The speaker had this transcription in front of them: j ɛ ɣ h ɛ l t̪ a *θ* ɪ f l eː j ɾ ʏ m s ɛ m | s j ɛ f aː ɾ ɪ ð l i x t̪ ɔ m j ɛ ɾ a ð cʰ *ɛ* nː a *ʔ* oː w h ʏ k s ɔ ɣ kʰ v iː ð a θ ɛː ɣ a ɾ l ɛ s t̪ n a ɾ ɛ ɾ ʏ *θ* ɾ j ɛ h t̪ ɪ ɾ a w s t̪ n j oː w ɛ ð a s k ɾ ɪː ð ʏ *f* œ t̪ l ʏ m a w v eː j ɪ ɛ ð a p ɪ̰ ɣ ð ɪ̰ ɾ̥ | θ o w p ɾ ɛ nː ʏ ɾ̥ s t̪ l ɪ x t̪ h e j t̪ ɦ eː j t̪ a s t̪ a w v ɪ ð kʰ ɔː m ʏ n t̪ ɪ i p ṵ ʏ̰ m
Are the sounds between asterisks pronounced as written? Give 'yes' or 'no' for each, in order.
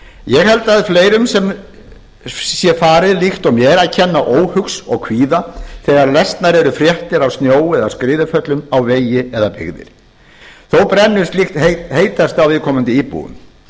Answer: no, yes, yes, no, yes

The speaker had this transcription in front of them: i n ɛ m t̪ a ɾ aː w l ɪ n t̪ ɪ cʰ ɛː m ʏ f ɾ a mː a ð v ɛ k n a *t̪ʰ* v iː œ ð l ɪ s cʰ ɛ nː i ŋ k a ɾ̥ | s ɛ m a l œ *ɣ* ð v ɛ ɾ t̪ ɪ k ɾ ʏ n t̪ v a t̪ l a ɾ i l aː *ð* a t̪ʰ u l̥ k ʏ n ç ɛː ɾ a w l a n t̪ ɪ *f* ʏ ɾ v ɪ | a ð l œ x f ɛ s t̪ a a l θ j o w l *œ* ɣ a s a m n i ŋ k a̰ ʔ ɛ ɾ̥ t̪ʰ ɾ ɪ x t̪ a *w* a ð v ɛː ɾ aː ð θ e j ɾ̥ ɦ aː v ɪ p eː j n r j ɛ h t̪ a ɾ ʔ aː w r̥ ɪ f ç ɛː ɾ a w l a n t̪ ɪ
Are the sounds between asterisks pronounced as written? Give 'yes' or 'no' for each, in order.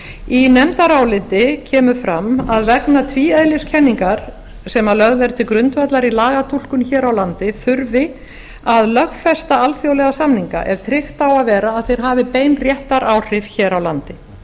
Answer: yes, yes, no, yes, no, yes

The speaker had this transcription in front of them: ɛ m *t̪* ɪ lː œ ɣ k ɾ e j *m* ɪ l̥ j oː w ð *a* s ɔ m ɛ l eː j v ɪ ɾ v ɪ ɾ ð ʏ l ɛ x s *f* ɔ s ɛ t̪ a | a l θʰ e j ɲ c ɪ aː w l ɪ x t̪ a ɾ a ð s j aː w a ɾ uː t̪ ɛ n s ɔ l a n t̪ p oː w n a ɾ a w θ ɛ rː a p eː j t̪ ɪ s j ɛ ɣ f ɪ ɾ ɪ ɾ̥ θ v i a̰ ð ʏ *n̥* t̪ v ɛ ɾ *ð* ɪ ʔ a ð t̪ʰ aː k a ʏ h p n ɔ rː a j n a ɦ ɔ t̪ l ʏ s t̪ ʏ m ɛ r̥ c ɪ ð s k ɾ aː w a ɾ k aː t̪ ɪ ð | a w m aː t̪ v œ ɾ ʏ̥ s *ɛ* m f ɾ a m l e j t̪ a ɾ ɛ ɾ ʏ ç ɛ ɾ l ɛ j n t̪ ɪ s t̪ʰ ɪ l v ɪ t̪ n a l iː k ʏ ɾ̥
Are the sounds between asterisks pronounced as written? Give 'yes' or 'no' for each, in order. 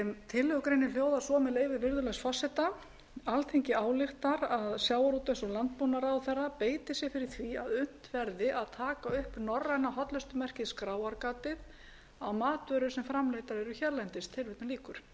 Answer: no, no, yes, yes, yes, yes, yes

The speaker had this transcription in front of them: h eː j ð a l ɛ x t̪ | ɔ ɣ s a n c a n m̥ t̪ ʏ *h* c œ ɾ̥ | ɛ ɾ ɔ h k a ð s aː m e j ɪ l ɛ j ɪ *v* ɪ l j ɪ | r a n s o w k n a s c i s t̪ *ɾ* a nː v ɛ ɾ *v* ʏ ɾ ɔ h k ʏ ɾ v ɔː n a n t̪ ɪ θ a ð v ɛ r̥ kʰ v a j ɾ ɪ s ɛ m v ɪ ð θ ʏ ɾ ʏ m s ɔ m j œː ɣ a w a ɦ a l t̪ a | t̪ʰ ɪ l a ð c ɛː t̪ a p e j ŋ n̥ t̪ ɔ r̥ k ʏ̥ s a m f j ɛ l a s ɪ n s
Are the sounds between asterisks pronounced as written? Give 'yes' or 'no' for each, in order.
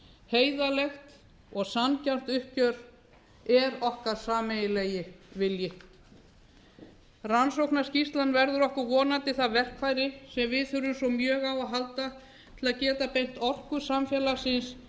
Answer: yes, yes, no, no

